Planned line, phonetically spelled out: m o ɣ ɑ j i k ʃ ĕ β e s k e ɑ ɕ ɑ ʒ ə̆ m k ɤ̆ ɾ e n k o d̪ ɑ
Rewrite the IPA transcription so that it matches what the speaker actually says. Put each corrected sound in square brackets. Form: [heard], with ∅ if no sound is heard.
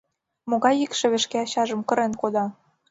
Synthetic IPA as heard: m o ɣ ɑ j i k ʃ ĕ β e [ʃ] k e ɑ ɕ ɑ ʒ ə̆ m k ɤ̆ ɾ e n k o d̪ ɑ